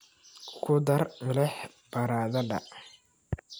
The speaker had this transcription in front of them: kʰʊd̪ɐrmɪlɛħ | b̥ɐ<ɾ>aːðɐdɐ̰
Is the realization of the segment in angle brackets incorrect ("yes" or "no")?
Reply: no